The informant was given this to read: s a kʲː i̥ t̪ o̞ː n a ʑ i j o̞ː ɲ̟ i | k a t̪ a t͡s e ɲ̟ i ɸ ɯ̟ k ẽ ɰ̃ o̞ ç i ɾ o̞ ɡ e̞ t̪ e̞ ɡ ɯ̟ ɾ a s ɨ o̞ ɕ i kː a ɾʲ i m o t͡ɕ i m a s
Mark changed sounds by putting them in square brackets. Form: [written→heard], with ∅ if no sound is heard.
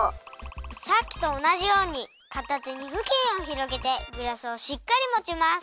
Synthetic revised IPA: s a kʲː i̥ t̪ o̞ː n a ʑ i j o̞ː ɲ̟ i | k a t̪ a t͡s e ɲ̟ i ɸ ɯ̟ k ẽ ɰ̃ o̞ ç i ɾ o̞ ɡ e̞ t̪ e̞ ɡ ɯ̟ ɾ a s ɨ o̞ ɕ i kː a ɾʲ i m o t͡ɕ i m a s

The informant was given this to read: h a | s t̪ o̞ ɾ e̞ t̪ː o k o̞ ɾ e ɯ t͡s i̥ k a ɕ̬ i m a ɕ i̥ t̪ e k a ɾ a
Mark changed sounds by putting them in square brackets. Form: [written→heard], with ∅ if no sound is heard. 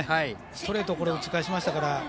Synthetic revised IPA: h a | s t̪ o̞ ɾ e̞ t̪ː o k o̞ ɾ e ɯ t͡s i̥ k a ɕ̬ i m a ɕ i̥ t̪ [e→a] k a ɾ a

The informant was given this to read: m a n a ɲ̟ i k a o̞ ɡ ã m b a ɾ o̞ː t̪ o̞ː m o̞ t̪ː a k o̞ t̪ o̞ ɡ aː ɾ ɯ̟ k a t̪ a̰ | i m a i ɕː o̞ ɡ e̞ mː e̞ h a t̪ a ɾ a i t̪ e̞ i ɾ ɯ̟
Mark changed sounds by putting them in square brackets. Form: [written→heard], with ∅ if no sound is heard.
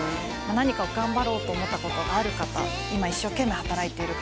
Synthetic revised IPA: m a n a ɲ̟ i k a o̞ ɡ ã m b a ɾ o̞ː t̪ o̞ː m o̞ t̪ː a k o̞ t̪ o̞ ɡ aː ɾ ɯ̟ k a t̪ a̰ | i m a i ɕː o̞ [ɡ→k] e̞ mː e̞ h a t̪ a ɾ a i t̪ e̞ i ɾ ɯ̟

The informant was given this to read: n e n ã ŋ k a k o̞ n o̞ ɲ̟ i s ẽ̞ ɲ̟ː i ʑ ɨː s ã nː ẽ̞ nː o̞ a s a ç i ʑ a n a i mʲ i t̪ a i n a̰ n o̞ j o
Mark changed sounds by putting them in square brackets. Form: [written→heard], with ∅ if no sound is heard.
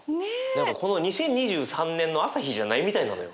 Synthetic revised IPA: n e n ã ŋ k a k o̞ n o̞ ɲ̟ i s ẽ̞ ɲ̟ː i ʑ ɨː s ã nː ẽ̞ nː o̞ a s a ç i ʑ a n a i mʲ i t̪ a i n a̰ n o̞ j o

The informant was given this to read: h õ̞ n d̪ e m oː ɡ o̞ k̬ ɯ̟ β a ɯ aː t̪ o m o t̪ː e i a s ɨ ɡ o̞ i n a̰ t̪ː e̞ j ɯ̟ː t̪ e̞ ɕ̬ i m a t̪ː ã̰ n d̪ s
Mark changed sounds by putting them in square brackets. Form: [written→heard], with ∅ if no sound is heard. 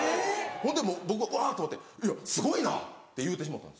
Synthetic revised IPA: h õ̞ n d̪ e m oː [ɡ→b] o̞ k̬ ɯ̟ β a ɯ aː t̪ o m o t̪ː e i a s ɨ ɡ o̞ i n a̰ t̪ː e̞ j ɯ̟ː t̪ e̞ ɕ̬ i m a t̪ː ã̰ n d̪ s

